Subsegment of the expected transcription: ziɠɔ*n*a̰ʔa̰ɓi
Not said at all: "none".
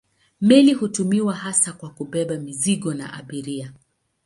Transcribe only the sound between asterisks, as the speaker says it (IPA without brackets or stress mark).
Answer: n